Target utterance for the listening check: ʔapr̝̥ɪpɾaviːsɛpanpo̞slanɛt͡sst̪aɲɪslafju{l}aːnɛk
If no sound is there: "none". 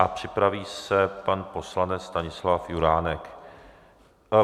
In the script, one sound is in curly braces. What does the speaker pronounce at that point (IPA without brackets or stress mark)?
ɾ